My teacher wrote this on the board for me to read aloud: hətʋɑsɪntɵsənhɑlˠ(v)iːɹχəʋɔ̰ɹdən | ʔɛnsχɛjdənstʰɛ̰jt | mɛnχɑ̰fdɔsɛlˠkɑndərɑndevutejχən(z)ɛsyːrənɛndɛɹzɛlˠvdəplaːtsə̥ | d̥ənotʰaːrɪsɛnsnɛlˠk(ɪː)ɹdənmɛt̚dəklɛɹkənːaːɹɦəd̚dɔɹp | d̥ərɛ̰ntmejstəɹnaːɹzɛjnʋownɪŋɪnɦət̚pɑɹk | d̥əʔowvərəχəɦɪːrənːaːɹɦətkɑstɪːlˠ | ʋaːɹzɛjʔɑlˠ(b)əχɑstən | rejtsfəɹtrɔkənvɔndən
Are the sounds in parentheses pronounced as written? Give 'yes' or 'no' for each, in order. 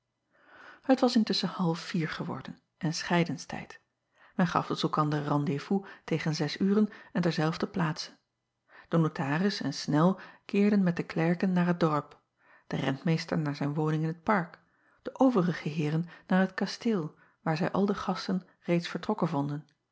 no, yes, yes, no

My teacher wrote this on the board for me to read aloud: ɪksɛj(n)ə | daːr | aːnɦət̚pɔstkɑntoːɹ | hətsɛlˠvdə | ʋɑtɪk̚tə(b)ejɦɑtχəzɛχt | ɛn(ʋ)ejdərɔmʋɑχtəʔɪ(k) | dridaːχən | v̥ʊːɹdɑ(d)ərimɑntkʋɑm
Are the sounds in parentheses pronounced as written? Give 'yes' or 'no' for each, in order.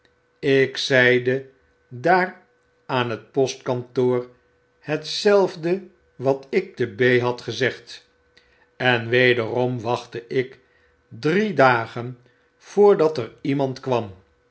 no, yes, yes, yes, no

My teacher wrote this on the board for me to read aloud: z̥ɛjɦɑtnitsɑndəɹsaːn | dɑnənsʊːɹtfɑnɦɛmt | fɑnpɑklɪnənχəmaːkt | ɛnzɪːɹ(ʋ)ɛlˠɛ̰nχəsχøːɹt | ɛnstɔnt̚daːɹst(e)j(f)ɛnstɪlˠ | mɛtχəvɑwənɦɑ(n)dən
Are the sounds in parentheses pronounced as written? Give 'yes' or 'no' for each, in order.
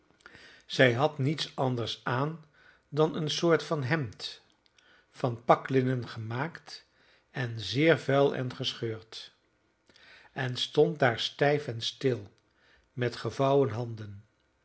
no, no, yes, yes

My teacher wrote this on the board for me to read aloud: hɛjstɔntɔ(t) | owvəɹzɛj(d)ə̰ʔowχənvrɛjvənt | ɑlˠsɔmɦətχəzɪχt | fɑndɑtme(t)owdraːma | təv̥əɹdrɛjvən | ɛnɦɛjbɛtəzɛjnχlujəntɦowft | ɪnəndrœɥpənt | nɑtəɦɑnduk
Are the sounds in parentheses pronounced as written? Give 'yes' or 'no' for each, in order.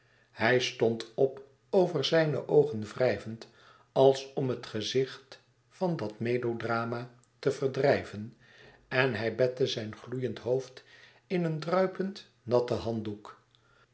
no, no, no

